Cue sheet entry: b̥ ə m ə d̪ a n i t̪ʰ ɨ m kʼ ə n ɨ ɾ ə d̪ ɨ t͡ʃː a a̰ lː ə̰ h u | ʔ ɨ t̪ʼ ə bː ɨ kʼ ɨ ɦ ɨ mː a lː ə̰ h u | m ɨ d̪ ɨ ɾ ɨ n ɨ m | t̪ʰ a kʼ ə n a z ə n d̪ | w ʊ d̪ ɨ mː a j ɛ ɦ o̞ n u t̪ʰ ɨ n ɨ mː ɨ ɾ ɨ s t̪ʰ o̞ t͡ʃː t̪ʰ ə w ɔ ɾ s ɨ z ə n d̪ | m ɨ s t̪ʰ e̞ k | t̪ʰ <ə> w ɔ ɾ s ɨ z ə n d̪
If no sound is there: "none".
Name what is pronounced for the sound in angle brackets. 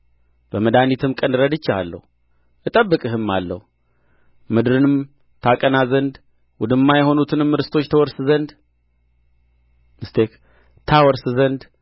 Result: a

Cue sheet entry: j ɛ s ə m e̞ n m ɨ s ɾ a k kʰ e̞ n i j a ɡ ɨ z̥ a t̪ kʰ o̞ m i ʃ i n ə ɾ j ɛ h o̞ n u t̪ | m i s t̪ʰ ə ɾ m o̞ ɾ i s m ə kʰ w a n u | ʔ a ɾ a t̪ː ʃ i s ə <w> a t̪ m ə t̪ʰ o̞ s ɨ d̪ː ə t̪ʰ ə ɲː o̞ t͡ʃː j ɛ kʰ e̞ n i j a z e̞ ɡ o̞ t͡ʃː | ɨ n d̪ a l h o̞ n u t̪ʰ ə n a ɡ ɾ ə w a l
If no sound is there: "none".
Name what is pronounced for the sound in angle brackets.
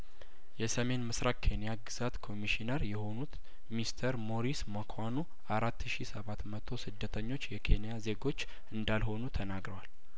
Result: β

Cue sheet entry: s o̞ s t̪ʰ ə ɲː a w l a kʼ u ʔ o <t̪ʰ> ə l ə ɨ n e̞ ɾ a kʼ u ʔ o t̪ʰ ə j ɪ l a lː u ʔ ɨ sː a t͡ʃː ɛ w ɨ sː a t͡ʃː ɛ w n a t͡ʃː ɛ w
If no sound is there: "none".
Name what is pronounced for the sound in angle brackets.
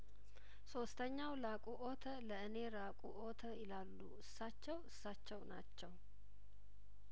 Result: t̪ʰ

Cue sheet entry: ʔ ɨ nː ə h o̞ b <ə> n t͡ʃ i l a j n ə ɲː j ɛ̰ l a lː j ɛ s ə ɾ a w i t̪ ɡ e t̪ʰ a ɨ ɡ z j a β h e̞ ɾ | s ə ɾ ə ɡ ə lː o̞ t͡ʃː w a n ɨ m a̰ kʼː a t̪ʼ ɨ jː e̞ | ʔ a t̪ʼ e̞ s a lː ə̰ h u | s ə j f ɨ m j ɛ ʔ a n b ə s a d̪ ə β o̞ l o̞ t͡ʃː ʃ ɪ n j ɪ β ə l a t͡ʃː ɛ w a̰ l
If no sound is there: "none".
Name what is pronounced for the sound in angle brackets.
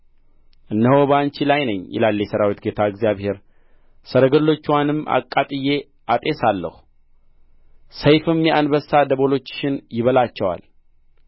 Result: a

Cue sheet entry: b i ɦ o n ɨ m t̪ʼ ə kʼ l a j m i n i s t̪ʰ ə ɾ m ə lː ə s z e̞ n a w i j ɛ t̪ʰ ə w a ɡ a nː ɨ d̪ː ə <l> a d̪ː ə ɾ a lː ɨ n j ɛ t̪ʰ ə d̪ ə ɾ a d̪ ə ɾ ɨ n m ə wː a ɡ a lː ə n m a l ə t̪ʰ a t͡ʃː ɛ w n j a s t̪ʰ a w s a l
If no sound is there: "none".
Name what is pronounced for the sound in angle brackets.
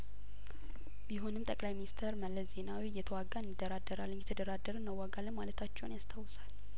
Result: ɾ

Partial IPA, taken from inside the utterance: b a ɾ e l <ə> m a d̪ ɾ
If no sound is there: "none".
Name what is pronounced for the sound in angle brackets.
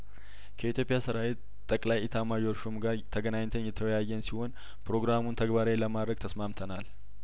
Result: ə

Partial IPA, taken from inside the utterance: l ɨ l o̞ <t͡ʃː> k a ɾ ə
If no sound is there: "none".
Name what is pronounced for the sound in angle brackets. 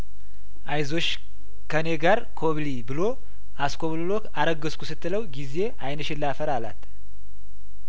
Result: none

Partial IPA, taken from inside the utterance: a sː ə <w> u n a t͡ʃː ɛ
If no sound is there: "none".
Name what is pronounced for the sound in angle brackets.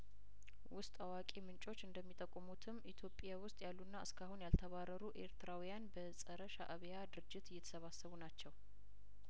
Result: β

